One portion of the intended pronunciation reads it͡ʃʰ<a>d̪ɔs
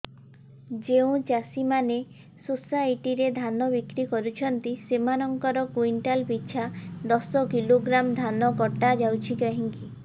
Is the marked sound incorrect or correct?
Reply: correct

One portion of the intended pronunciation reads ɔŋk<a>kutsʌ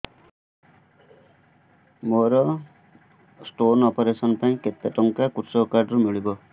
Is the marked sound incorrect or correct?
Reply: correct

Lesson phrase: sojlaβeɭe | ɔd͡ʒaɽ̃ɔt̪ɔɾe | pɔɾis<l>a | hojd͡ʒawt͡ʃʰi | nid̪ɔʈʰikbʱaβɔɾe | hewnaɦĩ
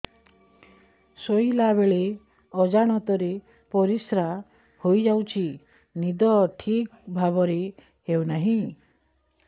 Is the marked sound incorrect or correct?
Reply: incorrect: ɾ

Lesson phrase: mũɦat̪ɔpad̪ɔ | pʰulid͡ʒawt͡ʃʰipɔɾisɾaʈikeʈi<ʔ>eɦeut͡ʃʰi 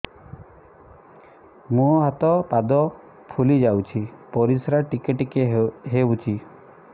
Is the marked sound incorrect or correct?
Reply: incorrect: k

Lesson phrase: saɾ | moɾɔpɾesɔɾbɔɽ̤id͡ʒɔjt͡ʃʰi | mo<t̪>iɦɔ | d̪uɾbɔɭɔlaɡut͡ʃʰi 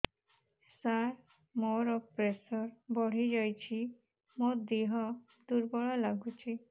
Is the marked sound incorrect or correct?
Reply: incorrect: d̪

